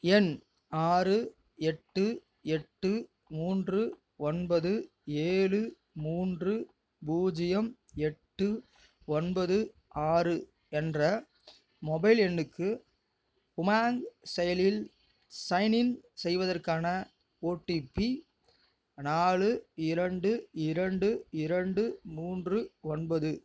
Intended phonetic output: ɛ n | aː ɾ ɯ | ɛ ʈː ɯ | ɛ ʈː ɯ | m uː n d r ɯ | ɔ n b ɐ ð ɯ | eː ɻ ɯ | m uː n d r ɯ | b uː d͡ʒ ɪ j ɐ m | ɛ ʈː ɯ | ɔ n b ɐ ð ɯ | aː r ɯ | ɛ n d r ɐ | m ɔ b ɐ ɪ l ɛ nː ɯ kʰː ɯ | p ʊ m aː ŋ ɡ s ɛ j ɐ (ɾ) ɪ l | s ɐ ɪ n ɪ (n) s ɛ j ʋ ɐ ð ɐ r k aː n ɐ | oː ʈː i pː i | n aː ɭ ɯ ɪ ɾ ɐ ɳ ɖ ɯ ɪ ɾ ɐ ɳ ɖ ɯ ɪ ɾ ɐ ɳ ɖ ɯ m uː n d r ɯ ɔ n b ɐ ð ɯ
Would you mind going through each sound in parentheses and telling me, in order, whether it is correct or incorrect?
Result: incorrect: l, correct

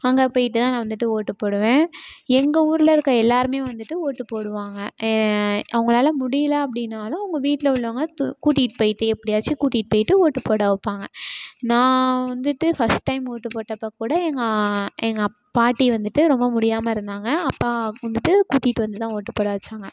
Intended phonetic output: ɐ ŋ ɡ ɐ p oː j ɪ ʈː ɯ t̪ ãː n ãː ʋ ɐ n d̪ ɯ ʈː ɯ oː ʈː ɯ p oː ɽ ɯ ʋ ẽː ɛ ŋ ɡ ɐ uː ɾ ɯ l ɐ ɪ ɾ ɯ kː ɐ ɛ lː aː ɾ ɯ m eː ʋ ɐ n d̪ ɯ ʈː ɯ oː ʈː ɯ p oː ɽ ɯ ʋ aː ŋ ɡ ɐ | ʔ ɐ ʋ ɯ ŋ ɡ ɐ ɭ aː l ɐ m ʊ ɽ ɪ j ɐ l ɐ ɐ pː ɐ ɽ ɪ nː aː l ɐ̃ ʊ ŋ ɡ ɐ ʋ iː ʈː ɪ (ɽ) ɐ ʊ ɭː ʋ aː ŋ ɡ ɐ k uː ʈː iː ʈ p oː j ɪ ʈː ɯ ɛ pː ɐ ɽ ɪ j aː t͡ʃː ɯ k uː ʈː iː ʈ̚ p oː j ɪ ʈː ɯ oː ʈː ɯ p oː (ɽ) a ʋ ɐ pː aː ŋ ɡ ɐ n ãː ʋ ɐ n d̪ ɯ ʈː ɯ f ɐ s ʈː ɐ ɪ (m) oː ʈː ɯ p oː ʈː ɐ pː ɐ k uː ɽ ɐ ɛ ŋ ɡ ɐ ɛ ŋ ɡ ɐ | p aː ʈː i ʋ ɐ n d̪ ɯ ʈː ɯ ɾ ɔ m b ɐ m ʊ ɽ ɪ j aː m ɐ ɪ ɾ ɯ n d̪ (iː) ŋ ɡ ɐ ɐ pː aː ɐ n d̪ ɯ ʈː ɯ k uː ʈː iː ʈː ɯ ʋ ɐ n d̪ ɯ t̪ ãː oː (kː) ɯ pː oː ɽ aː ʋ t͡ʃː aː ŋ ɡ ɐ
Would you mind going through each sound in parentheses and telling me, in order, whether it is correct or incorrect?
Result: incorrect: l, correct, correct, incorrect: aː, incorrect: ʈː

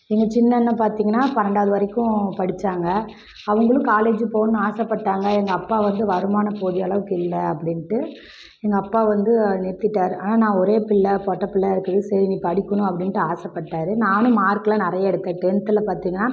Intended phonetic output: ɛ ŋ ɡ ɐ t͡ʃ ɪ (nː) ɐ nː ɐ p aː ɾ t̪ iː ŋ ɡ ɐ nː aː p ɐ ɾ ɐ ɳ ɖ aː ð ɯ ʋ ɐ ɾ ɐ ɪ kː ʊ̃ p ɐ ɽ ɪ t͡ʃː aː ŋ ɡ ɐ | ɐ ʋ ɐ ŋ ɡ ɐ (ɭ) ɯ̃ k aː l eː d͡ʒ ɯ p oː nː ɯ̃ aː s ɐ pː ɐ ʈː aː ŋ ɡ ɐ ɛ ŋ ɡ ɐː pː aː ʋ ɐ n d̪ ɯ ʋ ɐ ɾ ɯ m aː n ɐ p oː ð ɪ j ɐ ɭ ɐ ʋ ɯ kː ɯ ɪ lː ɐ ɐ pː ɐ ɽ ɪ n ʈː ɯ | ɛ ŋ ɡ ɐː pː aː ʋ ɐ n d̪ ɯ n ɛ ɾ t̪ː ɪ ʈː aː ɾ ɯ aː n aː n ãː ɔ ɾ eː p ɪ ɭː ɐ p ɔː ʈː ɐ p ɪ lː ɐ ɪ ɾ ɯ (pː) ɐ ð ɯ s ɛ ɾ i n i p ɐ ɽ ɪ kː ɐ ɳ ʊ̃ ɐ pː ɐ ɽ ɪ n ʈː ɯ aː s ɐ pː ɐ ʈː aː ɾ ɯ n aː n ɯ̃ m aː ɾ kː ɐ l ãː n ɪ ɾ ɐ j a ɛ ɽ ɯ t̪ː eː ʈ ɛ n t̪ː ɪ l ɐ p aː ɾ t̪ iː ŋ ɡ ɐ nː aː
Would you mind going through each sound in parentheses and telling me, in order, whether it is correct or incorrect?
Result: correct, correct, incorrect: kː

